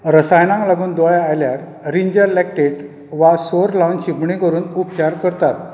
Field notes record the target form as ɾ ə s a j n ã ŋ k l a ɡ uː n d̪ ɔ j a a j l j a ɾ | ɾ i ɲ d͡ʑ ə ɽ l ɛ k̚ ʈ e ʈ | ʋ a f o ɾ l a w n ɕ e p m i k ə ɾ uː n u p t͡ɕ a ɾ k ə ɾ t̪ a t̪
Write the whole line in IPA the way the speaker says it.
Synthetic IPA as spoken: ɾ ə s a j n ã ŋ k l a ɡ uː n d̪ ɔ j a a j l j a ɾ | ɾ i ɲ d͡ʑ ə ɾ l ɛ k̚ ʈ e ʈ | ʋ a s o ɾ l a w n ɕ i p ɳ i k ə ɾ uː n u p t͡ɕ a ɾ k ə ɾ t̪ a t̪